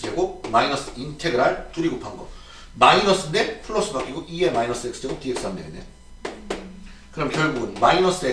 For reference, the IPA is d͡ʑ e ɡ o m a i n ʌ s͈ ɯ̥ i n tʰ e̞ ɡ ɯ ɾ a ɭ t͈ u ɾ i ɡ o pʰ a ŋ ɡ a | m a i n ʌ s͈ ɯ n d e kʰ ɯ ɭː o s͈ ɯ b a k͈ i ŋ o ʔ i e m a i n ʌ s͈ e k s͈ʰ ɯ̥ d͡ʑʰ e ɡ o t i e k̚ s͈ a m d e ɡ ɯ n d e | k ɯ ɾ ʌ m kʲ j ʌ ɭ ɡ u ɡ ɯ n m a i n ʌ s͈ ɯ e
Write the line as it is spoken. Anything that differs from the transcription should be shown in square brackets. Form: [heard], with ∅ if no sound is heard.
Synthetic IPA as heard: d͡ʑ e ɡ o m a i n ʌ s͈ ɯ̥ i n tʰ e̞ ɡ ɯ ɾ a ɭ t͈ u ɾ i ɡ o pʰ a ŋ ɡ [ʌ] | m a i n ʌ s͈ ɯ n d e [pʰ] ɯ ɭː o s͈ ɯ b a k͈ i [ɡ] o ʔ i e m a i n ʌ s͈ e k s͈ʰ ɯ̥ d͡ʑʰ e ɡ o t i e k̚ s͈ a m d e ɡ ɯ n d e | k ɯ ɾ ʌ m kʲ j ʌ ɭ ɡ u ɡ ɯ n m a i n ʌ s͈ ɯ e